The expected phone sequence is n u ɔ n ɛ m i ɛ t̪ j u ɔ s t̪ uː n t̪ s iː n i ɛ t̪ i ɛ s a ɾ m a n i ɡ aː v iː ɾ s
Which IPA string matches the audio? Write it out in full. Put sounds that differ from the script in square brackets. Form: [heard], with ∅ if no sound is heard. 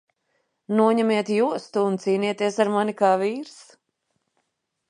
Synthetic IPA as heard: n u ɔ [ɲ] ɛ m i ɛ t̪ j u ɔ s t̪ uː n t̪ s iː n i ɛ t̪ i ɛ s a ɾ m a n i [k] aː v iː ɾ s